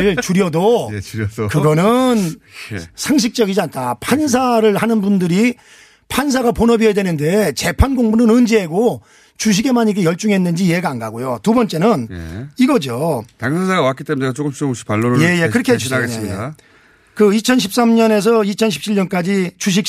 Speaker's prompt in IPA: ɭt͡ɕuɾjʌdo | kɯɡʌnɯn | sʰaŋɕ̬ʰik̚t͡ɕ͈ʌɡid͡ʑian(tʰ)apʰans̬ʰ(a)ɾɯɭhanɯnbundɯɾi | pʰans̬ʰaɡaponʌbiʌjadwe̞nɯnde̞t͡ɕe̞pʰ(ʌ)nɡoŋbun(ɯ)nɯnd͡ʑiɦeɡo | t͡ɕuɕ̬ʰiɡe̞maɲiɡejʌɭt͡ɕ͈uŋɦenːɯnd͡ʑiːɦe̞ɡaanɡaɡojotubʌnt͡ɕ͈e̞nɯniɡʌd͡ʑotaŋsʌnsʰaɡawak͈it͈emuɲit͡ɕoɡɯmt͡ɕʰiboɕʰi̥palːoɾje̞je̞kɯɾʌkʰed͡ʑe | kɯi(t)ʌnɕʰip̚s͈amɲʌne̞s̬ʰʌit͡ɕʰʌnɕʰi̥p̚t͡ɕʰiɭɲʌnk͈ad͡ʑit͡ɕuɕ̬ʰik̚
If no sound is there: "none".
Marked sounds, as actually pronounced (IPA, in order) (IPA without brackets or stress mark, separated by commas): tʰ, a, a, ɯ, t͡ɕʰ